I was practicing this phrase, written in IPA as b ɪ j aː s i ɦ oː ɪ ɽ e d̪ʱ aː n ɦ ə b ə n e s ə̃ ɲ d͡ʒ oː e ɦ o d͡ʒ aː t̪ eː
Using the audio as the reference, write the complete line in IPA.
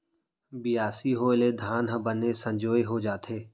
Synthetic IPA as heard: b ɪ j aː s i ɦ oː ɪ l e d̪ʱ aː n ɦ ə b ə n e s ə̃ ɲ d͡ʒ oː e ɦ o d͡ʒ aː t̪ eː